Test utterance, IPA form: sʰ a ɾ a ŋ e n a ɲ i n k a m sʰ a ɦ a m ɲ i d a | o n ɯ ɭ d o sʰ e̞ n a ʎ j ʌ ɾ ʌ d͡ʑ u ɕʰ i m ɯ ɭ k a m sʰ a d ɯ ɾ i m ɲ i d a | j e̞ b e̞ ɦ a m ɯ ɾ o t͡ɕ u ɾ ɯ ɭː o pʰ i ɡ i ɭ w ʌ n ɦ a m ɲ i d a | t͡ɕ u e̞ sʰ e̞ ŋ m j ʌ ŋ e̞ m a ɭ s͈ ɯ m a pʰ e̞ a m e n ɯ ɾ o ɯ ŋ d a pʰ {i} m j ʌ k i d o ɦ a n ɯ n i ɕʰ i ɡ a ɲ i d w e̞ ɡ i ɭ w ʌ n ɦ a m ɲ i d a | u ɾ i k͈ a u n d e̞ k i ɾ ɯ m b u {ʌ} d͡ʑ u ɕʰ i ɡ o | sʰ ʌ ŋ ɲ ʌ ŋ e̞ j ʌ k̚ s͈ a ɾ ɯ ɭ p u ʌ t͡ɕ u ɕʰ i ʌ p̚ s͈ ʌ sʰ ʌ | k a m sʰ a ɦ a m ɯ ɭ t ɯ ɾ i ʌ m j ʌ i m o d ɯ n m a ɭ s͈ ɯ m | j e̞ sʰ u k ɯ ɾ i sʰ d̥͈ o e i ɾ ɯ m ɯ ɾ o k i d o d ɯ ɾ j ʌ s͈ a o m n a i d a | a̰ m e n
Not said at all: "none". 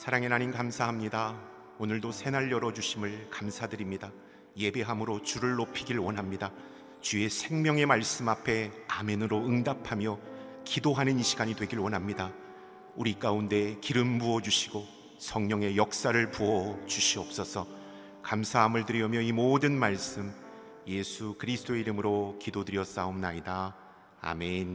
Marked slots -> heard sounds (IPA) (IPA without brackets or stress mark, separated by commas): a, ʌ